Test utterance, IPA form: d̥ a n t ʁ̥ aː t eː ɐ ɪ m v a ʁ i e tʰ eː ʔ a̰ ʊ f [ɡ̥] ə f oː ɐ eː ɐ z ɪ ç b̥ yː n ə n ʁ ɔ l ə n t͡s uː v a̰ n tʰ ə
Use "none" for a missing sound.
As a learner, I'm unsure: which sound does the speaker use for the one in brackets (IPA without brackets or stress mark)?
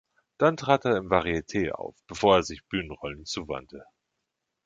b̥